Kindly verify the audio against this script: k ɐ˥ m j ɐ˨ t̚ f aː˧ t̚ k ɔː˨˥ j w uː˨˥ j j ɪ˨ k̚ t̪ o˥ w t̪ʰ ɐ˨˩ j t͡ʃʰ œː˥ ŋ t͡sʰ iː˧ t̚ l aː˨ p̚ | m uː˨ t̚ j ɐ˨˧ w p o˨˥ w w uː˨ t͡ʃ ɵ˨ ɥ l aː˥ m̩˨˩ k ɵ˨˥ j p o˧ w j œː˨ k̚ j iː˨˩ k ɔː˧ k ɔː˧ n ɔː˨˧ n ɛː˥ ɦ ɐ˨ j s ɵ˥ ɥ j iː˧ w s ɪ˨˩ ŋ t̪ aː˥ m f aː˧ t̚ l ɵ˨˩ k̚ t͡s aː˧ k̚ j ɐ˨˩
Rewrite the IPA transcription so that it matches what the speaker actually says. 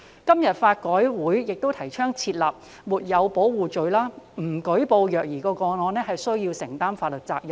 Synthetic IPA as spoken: k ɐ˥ m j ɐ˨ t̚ f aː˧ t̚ k ɔː˨˥ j w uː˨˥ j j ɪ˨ k̚ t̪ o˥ w t̪ʰ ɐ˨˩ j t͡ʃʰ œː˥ ŋ t͡sʰ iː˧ t̚ l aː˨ p̚ | m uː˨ t̚ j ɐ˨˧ w p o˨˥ w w uː˨ t͡ʃ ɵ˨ ɥ l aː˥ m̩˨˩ k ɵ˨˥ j p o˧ w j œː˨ k̚ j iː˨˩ k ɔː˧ k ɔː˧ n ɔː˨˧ n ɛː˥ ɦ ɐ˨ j s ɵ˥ ɥ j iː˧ w s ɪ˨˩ ŋ t̪ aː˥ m f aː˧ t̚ l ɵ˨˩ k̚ t͡s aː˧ k̚ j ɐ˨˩

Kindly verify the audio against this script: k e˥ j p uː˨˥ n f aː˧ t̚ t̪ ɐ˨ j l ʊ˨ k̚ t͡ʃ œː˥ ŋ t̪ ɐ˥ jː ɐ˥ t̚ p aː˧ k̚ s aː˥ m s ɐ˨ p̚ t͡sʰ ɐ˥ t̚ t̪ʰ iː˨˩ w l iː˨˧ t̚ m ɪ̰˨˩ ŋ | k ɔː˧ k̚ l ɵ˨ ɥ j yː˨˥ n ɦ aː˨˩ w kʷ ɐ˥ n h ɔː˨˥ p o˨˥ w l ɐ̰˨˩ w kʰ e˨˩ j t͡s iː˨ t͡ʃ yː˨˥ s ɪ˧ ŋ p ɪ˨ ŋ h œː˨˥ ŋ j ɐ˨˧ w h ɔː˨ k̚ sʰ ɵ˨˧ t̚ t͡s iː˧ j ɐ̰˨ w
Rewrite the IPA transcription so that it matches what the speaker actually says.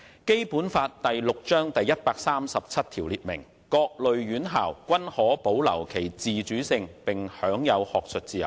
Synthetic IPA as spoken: k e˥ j p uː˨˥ n f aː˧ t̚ t̪ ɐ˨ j l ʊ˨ k̚ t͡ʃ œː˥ ŋ t̪ ɐ˨ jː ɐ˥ t̚ p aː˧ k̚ s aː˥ m s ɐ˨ p̚ t͡sʰ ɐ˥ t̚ t̪ʰ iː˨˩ w l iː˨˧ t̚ m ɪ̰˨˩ ŋ | k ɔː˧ k̚ l ɵ˨ ɥ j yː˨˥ n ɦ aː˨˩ w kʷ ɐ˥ n h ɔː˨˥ p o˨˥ w l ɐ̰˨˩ w kʰ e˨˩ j t͡s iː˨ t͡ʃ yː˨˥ s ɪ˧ ŋ p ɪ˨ ŋ h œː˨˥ ŋ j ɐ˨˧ w h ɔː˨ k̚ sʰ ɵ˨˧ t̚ t͡s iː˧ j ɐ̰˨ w

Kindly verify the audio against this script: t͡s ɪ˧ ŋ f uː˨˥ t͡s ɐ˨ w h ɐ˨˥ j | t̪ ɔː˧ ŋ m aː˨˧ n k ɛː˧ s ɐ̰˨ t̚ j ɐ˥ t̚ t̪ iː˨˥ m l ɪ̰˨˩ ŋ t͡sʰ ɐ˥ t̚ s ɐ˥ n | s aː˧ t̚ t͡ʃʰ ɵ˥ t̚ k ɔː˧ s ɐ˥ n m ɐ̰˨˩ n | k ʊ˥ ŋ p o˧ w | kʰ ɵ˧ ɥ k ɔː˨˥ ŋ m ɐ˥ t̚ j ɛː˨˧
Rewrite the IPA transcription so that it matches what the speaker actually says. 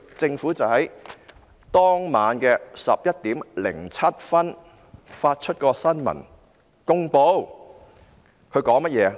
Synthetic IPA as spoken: t͡s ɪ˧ ŋ f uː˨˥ t͡s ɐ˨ w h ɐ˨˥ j | t̪ ɔː˥ ŋ m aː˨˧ n k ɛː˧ s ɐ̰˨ p̚ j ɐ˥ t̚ t̪ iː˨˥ m l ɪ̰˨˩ ŋ t͡sʰ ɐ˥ t̚ f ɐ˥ n | f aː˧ t̚ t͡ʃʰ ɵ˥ t̚ k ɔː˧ s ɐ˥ n m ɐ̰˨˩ n | k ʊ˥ ŋ p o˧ w | kʰ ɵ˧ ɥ k ɔː˨˥ ŋ m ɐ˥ t̚ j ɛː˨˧

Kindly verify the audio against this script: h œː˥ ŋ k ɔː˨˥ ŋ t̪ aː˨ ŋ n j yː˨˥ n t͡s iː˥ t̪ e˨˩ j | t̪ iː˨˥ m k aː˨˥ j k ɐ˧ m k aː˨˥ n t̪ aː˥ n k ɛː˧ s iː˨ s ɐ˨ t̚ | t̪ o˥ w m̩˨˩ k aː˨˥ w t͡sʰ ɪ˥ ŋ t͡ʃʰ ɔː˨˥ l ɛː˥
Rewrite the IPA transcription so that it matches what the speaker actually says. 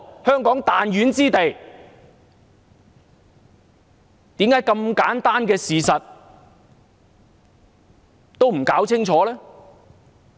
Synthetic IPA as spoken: h œː˥ ŋ k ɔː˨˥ ŋ t̪ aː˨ n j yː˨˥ n t͡s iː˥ t̪ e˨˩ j | t̪ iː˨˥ m k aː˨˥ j k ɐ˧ m k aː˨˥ n t̪ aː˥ n k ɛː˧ s iː˨ s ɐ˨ t̚ | t̪ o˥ w m̩˨˩ k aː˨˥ w t͡sʰ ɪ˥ ŋ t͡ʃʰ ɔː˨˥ l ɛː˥

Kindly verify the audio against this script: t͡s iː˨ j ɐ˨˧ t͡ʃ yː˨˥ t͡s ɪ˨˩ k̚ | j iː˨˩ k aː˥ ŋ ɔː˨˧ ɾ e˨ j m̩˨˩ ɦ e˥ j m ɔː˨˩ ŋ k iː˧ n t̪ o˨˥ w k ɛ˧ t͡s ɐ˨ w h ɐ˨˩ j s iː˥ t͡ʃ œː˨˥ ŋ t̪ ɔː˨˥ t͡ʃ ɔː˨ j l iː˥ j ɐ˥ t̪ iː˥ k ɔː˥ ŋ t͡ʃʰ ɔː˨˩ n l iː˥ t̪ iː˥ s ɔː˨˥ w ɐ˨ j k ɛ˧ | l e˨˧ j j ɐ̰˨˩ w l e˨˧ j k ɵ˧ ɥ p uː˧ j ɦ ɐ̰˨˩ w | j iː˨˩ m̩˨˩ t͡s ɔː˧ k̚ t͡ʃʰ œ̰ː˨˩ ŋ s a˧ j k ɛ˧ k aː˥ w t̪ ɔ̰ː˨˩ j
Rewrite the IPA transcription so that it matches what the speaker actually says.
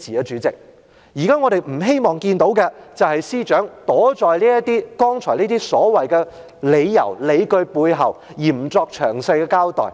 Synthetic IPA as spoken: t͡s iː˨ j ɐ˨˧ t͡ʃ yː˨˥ t͡s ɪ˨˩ k̚ | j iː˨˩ k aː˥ ŋ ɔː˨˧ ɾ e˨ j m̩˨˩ ɦ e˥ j m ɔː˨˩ ŋ k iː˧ n t̪ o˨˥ w k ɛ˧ t͡s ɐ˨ w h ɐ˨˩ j s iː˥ t͡ʃ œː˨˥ ŋ t̪ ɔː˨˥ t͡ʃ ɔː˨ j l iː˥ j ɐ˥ t̪ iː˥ k ɔː˥ ŋ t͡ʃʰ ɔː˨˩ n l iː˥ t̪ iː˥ s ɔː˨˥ w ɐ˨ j k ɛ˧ | l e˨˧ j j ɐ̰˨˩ w l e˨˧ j k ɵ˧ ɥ p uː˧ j ɦ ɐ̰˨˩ w | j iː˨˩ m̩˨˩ t͡s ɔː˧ k̚ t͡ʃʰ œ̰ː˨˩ ŋ s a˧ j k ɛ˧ k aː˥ w t̪ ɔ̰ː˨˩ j

